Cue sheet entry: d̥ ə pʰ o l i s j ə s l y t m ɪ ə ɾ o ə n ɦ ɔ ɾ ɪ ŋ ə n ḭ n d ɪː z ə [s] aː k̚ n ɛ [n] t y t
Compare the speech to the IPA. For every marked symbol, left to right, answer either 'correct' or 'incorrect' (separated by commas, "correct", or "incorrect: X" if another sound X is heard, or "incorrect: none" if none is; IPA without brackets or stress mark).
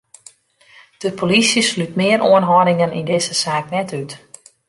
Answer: correct, incorrect: none